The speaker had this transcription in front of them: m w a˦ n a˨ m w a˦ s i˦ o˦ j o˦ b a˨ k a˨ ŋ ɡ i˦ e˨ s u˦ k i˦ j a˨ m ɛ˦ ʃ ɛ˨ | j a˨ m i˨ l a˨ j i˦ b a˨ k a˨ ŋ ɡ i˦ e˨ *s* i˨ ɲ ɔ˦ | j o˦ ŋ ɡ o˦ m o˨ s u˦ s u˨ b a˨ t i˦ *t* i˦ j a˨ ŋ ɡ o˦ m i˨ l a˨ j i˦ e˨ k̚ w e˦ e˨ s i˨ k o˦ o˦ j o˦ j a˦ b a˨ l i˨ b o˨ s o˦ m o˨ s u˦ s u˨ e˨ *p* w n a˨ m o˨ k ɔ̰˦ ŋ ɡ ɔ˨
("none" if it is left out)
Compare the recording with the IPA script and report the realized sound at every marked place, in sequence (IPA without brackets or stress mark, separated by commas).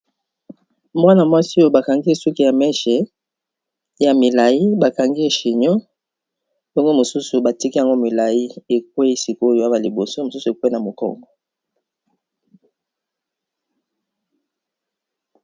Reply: ʃ, k, k